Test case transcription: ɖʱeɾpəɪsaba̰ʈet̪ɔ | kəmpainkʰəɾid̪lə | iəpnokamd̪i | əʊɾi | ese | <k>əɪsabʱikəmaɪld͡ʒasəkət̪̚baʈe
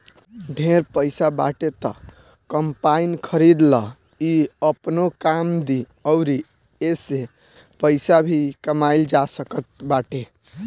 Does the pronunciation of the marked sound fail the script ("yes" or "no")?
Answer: yes